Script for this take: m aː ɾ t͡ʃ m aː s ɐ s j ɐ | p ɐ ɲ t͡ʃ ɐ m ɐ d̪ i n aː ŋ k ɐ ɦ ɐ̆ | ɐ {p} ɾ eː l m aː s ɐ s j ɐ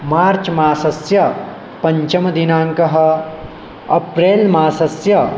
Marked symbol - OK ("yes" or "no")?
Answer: yes